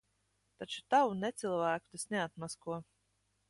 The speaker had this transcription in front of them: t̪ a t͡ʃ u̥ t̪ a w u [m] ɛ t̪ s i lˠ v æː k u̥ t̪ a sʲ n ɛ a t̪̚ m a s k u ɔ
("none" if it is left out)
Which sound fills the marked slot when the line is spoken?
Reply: n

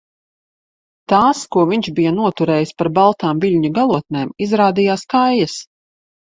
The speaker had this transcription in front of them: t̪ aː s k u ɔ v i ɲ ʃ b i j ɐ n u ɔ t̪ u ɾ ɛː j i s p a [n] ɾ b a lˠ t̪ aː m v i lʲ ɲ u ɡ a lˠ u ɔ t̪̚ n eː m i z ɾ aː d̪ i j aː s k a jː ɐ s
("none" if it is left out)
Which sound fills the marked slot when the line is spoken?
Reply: none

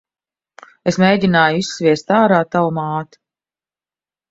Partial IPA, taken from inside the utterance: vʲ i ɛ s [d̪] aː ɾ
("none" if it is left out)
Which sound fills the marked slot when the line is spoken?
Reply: t̪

